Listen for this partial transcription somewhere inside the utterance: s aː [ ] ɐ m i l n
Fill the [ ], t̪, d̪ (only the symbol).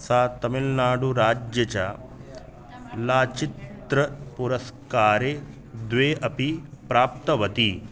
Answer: t̪